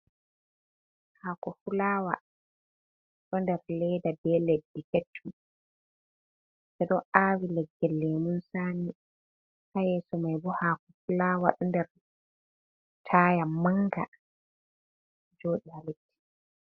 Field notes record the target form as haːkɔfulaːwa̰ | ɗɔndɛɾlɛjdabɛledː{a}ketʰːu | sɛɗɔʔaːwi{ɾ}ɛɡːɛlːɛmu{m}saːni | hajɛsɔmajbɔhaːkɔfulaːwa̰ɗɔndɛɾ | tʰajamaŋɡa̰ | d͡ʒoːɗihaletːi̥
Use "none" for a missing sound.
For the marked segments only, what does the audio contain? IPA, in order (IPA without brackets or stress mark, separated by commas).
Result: i, l, n